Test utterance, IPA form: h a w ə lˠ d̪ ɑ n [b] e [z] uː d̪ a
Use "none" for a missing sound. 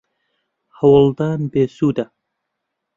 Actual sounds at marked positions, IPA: b, s

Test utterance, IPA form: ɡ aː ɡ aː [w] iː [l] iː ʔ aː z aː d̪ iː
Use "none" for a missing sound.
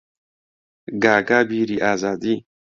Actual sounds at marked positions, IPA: b, ɾ

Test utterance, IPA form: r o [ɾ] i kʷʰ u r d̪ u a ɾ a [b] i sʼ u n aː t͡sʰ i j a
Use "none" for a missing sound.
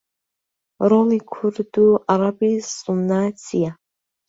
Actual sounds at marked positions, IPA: l, b

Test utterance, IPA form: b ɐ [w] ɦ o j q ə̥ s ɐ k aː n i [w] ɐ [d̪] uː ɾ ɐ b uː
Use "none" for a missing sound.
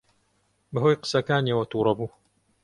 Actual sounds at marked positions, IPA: none, w, t̪

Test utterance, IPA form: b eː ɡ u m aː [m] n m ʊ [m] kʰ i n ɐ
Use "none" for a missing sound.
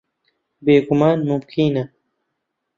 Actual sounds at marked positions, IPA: none, m

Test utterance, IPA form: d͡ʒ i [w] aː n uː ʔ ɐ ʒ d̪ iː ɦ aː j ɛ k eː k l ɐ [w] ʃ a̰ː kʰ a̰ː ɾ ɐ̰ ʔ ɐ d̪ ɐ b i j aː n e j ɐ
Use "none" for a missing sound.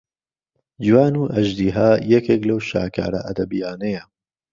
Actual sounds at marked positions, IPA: w, w

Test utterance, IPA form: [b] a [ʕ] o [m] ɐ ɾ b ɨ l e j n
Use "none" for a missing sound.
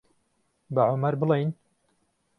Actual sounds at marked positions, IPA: b, ʕ, m

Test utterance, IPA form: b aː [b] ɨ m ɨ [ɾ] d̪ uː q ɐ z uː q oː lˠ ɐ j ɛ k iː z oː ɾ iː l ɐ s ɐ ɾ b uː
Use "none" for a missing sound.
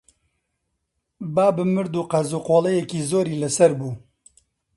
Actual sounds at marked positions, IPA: b, ɾ

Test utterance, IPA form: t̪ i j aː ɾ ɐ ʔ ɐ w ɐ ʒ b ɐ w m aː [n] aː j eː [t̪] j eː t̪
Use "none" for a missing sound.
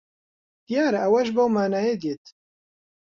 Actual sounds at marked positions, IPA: n, d̪

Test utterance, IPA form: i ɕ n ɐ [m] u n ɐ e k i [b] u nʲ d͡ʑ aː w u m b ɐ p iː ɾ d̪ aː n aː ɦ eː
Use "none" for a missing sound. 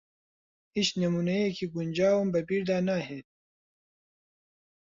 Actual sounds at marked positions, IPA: m, ɡ

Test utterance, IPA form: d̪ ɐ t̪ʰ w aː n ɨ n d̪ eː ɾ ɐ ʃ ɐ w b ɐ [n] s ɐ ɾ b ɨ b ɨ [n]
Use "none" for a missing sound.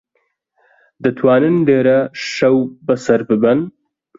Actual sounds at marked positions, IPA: none, n

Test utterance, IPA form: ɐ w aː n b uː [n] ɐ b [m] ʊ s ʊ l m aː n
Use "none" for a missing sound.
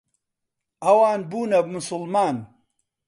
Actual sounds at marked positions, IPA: n, m

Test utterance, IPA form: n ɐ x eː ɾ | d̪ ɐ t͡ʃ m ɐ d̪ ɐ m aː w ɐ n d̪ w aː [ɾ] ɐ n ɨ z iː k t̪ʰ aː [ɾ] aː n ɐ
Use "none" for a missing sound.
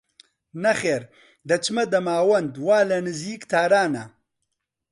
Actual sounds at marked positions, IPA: l, ɾ

